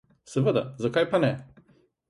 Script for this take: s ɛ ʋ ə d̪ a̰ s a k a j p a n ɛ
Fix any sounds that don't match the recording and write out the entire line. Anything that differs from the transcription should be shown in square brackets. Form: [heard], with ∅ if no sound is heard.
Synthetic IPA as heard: s ɛ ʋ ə d̪ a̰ [z] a k a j p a n ɛ